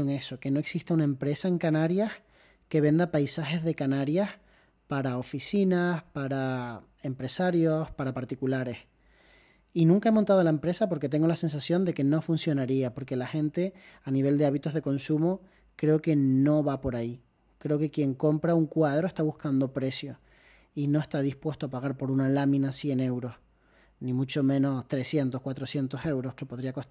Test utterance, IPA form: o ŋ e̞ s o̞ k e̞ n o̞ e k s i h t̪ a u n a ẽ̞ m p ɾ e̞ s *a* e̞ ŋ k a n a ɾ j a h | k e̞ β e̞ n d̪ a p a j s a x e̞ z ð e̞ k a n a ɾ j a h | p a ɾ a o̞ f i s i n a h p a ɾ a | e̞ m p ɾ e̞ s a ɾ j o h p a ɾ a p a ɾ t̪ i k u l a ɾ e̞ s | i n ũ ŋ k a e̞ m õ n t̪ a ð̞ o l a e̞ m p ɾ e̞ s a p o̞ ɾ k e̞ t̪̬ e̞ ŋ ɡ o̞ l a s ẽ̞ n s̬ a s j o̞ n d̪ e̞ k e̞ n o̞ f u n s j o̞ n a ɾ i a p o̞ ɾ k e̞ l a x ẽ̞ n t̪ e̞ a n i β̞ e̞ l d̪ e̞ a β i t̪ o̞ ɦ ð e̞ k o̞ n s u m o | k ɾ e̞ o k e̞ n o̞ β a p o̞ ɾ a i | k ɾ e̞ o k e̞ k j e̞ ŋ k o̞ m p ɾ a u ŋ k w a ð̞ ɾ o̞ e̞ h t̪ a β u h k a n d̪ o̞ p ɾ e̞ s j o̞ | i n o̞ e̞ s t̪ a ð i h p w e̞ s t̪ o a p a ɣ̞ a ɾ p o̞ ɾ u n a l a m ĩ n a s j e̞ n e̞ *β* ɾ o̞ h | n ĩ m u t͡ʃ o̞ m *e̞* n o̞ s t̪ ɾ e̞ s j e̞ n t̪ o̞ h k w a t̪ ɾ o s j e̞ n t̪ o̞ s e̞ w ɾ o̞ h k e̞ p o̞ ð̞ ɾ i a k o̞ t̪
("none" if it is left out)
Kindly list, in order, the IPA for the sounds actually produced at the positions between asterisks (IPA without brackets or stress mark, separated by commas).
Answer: a, w, ẽ̞